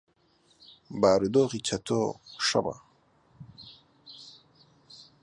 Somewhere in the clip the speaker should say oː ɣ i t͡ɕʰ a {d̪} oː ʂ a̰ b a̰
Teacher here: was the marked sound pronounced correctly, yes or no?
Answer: no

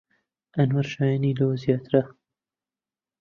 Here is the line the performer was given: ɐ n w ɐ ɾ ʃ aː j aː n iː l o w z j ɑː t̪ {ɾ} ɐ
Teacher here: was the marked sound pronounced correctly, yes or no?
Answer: yes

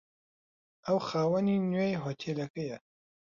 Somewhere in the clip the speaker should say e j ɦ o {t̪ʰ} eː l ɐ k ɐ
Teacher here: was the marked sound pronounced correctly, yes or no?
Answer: yes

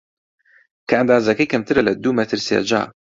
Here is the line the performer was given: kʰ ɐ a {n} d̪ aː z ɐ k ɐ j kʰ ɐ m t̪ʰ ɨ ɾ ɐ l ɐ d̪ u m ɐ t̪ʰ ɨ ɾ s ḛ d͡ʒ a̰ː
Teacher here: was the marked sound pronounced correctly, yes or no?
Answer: yes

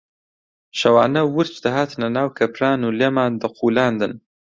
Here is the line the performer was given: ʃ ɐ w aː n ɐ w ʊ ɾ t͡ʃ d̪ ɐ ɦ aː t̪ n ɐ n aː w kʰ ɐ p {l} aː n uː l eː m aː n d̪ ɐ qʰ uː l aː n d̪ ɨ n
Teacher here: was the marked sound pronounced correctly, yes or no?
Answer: no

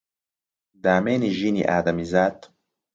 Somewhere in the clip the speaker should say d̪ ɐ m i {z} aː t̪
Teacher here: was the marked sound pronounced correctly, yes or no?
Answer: yes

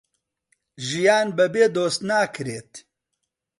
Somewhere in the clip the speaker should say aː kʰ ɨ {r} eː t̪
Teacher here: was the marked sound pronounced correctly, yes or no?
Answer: no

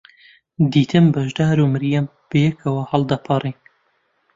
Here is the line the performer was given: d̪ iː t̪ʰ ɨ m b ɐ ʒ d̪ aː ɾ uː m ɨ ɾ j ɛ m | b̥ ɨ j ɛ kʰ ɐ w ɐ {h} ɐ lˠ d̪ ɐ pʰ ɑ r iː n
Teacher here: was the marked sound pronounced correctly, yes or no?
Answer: yes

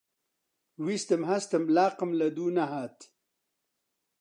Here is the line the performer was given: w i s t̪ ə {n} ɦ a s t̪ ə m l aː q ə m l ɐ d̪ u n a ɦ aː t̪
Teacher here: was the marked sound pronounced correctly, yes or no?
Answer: no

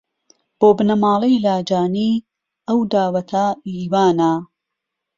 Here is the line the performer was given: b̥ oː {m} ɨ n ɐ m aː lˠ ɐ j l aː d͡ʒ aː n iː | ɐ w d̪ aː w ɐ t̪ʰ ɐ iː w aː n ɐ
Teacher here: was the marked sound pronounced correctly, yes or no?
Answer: no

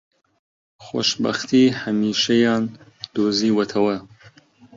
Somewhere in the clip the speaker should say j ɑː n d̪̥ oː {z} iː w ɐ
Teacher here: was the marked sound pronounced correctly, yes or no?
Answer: yes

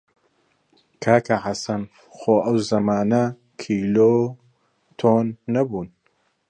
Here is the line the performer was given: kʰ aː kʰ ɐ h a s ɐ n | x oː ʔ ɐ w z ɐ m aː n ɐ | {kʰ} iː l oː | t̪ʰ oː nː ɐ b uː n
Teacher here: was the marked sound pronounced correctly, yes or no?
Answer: yes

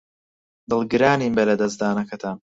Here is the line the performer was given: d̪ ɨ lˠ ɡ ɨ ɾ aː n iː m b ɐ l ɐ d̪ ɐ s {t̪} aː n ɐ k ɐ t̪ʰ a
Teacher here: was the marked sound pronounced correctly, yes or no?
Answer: no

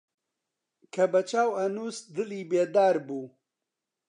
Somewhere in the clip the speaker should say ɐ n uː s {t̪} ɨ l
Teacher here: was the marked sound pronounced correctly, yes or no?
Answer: no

